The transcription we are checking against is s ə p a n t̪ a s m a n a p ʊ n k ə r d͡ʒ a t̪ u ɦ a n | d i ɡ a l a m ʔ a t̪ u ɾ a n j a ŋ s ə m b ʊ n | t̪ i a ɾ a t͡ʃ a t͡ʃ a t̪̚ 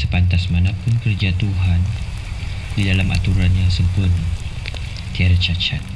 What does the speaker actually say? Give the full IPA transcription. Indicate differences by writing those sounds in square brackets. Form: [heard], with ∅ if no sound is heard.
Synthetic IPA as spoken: s ə p a n t̪ a s m a n a p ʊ n k ə r d͡ʒ a t̪ u ɦ a n | d i [d] a l a m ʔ a t̪ u ɾ a n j a ŋ s ə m [p] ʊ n | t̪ i a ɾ a t͡ʃ a t͡ʃ a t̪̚